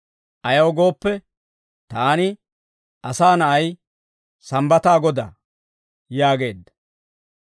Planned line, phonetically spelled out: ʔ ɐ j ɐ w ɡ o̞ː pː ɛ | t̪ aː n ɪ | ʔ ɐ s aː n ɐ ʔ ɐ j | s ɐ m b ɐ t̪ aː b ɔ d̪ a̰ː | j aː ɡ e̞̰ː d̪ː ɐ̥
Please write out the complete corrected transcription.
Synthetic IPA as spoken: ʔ ɐ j ɐ w ɡ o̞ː pː ɛ | t̪ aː n ɪ | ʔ ɐ s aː n ɐ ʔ ɐ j | s ɐ m b ɐ t̪ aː ɡ ɔ d̪ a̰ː | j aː ɡ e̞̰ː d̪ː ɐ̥